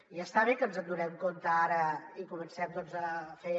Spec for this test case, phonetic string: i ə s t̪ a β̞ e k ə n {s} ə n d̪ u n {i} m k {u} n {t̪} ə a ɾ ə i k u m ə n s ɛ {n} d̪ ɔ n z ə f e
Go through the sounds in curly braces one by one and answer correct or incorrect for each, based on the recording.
incorrect, incorrect, incorrect, correct, incorrect

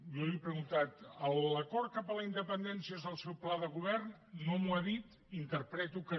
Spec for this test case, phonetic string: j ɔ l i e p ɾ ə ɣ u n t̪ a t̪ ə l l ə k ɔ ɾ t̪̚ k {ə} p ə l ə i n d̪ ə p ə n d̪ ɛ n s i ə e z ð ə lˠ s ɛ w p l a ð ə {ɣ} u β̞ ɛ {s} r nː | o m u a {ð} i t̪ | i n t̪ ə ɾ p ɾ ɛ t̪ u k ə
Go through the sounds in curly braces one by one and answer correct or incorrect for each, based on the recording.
incorrect, correct, incorrect, correct

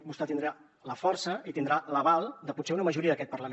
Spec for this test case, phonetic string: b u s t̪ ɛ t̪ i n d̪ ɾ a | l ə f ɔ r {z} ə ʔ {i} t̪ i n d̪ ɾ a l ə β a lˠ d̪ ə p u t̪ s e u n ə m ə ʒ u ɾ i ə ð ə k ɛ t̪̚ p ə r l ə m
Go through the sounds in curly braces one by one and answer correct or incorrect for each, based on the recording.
incorrect, correct

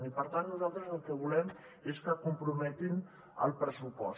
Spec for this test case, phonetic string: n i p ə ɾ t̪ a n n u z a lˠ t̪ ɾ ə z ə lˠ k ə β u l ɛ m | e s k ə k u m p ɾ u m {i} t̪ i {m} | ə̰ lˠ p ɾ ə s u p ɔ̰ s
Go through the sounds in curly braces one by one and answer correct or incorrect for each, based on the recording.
incorrect, incorrect

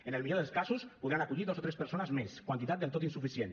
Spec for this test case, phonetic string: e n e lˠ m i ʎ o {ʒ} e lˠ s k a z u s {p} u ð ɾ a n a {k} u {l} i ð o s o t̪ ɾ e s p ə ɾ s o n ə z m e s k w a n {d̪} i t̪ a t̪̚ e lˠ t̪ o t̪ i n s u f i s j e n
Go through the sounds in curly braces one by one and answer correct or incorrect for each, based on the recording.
incorrect, correct, correct, incorrect, incorrect

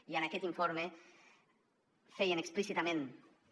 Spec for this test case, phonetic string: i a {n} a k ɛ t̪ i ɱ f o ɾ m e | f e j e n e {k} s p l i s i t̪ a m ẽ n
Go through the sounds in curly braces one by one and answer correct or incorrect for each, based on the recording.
correct, correct

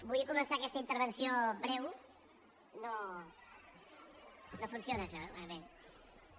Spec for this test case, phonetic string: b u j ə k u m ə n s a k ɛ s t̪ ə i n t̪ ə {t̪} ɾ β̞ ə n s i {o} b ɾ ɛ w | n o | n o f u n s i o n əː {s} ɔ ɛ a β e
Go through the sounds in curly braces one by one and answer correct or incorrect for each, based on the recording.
incorrect, correct, incorrect

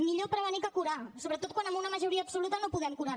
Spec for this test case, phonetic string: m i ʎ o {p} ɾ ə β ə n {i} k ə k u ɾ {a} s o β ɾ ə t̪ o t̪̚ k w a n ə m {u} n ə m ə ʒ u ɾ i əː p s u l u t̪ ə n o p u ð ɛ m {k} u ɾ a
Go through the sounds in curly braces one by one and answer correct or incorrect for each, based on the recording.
correct, correct, correct, correct, correct

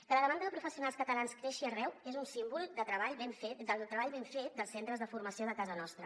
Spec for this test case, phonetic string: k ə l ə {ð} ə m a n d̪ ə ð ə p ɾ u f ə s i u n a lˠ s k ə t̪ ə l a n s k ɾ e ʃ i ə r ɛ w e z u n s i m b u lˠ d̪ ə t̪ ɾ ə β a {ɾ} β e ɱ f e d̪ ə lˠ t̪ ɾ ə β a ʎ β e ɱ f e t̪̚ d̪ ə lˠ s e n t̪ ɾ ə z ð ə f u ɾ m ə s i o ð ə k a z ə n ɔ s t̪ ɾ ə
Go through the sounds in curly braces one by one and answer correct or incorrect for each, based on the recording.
correct, incorrect

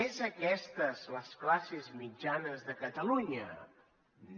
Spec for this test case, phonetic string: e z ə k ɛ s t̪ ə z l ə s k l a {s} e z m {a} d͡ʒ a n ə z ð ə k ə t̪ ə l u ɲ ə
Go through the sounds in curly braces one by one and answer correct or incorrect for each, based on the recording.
correct, incorrect

